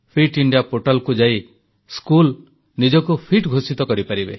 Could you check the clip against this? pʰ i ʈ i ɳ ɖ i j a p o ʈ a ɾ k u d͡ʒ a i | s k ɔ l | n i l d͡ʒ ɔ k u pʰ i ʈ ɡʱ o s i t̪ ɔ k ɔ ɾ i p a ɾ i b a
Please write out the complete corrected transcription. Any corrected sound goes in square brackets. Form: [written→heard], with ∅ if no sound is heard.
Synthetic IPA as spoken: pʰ i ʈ i ɳ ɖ i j a p o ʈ a [ɾ→l] k u d͡ʒ a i | s k [ɔ→u] l | n i [l→∅] d͡ʒ ɔ k u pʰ i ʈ ɡʱ o s i t̪ ɔ k ɔ ɾ i p a ɾ i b [a→e]